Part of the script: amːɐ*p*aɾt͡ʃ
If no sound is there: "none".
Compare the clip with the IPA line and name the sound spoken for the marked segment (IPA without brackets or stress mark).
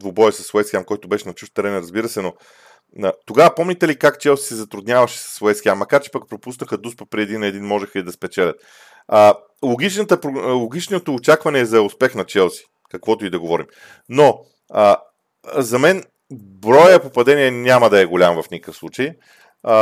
k